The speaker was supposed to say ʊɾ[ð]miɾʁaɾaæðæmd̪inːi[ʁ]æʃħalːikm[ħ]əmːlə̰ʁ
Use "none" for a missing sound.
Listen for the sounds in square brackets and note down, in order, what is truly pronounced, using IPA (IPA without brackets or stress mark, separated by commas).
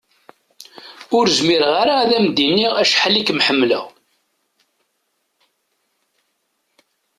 z, ʁ, ħ